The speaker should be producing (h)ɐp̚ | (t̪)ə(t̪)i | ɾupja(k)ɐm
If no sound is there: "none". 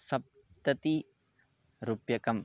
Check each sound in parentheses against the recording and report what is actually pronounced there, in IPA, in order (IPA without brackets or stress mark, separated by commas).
s, t̪, t̪, k